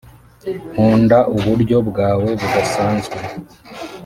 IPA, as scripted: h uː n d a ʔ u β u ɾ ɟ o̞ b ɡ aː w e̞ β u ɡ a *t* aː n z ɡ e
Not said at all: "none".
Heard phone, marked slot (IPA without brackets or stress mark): s